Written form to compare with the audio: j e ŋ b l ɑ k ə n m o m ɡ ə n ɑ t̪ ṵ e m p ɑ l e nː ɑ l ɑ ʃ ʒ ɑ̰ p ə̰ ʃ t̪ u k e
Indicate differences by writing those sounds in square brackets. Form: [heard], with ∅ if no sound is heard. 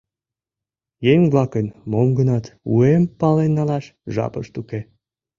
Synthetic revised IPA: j e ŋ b l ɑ k ə n m o m ɡ ə n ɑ t̪ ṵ e m p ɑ l e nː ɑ l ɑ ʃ ʒ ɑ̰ p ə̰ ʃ t̪ u k e